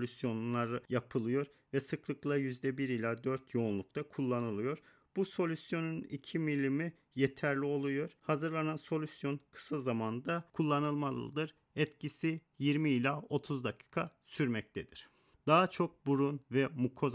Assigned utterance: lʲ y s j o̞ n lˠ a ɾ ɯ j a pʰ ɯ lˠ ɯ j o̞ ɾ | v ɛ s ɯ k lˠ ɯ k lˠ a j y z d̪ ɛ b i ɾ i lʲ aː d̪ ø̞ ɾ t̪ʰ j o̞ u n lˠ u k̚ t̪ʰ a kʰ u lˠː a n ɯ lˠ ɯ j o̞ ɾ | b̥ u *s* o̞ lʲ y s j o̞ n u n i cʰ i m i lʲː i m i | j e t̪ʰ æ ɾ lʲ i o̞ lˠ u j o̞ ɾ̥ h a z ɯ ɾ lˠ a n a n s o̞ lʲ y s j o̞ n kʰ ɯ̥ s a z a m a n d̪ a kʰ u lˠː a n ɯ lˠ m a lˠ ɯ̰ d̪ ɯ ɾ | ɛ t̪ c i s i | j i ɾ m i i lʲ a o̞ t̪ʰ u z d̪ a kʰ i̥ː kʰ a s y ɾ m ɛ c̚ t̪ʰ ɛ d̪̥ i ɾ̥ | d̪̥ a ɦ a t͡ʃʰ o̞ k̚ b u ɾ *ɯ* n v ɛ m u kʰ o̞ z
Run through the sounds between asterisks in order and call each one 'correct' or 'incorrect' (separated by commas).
correct, incorrect